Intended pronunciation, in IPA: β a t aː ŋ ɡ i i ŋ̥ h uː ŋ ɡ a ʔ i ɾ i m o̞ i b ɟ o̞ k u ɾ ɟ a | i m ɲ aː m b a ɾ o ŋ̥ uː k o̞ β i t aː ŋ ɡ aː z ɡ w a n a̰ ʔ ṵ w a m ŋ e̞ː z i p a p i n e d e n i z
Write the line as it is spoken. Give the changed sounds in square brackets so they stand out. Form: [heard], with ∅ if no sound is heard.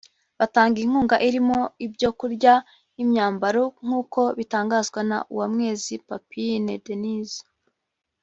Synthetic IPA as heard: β a t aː ŋ ɡ i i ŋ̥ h uː ŋ ɡ a ʔ i ɾ i m o̞ i b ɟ o̞ k u ɾ ɟ a | i m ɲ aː m b a ɾ o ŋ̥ uː k o̞ β i t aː ŋ ɡ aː z ɡ w a n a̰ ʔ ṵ w a m ŋ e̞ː z i p a p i n e d e n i z